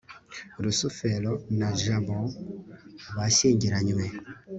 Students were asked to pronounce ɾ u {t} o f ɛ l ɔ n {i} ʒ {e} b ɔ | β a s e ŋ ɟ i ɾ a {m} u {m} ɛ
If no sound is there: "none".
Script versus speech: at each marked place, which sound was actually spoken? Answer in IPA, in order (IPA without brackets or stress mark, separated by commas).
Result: s, a, a, ɲ, m